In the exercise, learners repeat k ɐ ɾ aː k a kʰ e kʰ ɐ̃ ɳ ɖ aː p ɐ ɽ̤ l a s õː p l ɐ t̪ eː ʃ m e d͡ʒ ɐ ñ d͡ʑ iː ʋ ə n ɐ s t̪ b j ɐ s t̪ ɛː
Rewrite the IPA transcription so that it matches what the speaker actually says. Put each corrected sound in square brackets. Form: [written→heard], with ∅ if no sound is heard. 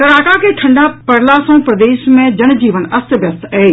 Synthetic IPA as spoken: k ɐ ɾ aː k a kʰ e [kʰ→ʈʰ] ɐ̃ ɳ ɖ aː p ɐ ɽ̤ l a s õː p [l→ɾ] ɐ [t̪→d̪] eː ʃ m [e→ẽ] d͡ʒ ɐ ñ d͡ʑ iː ʋ ə n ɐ s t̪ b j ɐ s t̪ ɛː